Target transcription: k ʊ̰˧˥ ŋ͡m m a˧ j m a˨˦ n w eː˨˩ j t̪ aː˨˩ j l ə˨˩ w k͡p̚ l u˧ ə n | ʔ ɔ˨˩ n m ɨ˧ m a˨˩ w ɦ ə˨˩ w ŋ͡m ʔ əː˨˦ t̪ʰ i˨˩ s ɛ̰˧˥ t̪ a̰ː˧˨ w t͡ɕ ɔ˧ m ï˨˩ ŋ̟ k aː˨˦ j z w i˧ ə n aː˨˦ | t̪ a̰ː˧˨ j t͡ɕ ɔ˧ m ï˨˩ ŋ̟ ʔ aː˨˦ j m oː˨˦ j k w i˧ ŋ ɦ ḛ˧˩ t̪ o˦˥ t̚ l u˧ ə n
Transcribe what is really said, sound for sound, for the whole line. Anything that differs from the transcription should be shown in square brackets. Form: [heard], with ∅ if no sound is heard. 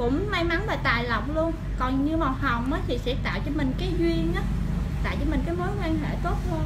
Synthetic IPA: k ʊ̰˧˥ ŋ͡m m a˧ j m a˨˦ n [v] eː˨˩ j t̪ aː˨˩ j l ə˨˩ w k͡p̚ l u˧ ə n | [k] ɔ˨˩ n [ɲ] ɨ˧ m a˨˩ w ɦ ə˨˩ w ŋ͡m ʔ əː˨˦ t̪ʰ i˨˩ s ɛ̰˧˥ t̪ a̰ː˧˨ w t͡ɕ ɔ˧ m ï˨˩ ŋ̟ k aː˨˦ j z w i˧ ə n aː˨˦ | t̪ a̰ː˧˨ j t͡ɕ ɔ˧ m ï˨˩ ŋ̟ [k] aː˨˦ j m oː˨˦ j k w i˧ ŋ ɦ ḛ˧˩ t̪ o˦˥ t̚ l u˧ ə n